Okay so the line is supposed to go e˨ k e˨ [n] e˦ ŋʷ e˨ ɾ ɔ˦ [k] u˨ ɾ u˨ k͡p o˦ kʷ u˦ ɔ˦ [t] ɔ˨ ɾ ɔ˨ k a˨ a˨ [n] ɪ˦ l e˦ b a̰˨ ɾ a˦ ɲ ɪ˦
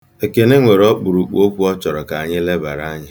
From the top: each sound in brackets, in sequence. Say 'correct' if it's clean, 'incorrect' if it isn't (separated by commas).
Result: correct, incorrect, incorrect, incorrect